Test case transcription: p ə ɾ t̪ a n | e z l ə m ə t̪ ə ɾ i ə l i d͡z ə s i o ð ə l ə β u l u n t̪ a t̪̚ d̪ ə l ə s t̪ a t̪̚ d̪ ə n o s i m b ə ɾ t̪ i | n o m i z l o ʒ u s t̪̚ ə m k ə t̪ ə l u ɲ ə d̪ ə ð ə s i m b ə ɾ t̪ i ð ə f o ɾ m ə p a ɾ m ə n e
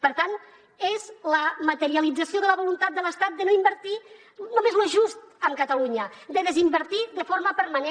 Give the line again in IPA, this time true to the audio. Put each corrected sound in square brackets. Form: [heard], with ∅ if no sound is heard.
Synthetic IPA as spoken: p ə ɾ t̪ a n | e z l ə m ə t̪ ə ɾ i ə l i d͡z ə s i o ð ə l ə β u l u n t̪ a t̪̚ d̪ ə l ə s t̪ a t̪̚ d̪ ə n o [∅] i m b ə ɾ t̪ i | n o m [e] z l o ʒ u s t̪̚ ə m k ə t̪ ə l u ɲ ə d̪ ə ð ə [z] i m b ə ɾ t̪ i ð ə f o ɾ m ə p [ə] ɾ m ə n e